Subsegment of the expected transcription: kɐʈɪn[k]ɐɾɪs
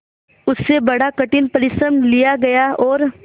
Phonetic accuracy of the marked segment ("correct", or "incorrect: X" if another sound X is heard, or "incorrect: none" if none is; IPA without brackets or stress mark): incorrect: p